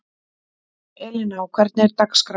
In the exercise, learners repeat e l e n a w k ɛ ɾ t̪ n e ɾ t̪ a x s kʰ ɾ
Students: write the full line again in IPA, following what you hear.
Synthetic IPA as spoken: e l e n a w k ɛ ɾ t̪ n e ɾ t̪ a k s k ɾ